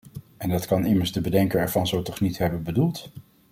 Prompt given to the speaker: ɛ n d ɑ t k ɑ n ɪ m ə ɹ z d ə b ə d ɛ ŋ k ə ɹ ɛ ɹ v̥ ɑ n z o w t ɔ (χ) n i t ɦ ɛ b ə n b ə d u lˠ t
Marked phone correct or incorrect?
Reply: correct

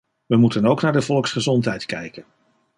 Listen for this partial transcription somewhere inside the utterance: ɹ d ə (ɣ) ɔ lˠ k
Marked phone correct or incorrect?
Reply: incorrect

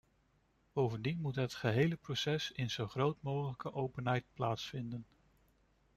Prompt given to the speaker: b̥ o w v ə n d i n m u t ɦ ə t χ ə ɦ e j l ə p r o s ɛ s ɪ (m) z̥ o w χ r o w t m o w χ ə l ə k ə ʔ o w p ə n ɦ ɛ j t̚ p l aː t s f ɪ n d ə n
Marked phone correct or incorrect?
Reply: incorrect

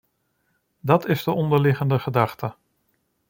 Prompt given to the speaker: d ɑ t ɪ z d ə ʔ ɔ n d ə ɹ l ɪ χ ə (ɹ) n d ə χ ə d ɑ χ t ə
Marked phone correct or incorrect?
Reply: incorrect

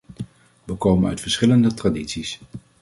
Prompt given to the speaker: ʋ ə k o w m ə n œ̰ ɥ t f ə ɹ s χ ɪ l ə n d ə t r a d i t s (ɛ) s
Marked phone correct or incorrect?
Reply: incorrect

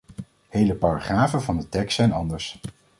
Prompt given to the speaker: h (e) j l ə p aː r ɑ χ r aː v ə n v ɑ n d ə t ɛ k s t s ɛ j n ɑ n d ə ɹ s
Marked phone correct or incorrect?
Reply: correct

